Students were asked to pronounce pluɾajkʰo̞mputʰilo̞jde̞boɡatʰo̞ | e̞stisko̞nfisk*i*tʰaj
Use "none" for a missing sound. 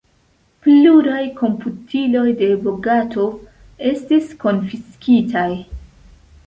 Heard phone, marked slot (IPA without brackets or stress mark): i